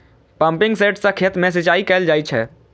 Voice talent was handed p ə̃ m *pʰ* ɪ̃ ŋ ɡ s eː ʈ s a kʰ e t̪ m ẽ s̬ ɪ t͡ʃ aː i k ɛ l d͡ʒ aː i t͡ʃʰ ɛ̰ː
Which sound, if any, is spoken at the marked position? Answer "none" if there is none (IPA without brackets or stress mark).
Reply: p